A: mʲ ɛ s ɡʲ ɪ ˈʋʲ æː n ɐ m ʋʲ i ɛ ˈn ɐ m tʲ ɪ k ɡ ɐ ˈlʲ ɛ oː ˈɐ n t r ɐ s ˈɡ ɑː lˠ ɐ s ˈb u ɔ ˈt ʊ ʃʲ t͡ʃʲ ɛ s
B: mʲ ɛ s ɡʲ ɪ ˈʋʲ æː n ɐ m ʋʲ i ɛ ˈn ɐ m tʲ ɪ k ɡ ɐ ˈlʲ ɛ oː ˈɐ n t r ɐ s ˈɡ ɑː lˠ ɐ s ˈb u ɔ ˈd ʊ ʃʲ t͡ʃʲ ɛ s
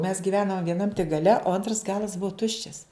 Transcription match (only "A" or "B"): A